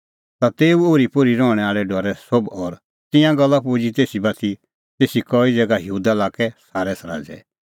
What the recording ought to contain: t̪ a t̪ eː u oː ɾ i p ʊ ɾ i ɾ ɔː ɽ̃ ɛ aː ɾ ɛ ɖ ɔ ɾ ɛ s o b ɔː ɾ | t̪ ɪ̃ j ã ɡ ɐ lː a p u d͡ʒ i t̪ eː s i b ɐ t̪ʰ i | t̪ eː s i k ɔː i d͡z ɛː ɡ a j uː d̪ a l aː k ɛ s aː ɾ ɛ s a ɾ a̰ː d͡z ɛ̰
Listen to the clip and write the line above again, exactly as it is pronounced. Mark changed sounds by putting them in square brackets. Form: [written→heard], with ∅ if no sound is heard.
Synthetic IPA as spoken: t̪ a t̪ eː u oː ɾ i p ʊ ɾ i ɾ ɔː ɽ̃ ɛ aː [ɾ→ɭ] ɛ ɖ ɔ ɾ ɛ s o b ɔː ɾ | t̪ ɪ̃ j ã ɡ ɐ lː a p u d͡ʒ i t̪ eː s i b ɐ t̪ʰ i | t̪ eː s i k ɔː i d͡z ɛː ɡ a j uː d̪ a l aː k ɛ s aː ɾ ɛ s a ɾ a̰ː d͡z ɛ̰